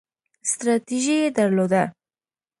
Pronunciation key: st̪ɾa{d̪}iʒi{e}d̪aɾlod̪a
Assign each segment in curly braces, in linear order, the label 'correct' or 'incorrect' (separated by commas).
incorrect, correct